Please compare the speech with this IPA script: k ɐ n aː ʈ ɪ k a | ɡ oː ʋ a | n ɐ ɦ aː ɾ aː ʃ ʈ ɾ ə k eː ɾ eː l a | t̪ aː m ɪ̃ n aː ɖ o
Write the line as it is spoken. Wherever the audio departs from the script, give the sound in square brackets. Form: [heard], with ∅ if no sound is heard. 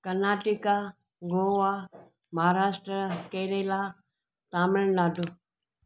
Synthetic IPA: k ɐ n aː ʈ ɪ k a | ɡ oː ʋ a | [m] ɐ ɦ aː ɾ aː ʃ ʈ ɾ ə k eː ɾ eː l a | t̪ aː m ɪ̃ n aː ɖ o